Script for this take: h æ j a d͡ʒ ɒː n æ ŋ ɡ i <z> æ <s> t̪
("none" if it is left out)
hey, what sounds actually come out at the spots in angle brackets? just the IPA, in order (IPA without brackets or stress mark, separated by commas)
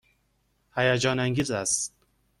z, s